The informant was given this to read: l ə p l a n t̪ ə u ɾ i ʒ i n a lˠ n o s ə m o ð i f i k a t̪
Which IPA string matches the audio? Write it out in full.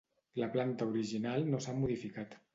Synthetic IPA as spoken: l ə p l a n t̪ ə u ɾ i ʒ i n a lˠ n o s a m u ð i f i k a t̪